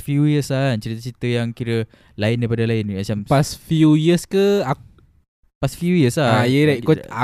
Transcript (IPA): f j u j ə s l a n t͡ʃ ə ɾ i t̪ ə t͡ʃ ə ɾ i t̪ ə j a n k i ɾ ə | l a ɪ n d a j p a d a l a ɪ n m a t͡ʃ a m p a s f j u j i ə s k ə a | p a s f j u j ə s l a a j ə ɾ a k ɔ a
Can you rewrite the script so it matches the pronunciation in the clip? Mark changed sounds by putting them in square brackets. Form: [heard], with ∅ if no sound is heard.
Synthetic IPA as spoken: f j u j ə s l a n t͡ʃ ə ɾ i t̪ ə t͡ʃ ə ɾ i t̪ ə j a [ŋ] k i ɾ ə | l a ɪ n d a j p a d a l a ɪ n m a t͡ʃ a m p a s f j u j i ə s k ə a | p a s f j u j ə s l a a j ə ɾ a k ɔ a